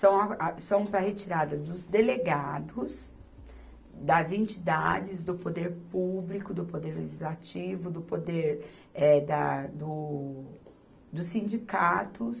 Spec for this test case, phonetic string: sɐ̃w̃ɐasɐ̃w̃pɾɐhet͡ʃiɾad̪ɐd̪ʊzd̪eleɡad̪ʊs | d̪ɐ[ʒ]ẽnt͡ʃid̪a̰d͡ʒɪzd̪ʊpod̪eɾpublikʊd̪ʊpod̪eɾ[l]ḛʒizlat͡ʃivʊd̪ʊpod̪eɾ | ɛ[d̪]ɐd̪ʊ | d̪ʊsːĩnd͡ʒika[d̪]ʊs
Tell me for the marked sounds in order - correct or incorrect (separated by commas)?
incorrect, correct, correct, incorrect